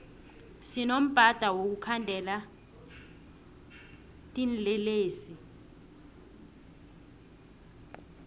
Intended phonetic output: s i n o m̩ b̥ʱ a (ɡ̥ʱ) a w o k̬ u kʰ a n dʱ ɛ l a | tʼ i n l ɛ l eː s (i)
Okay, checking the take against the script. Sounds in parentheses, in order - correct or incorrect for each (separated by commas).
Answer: incorrect, correct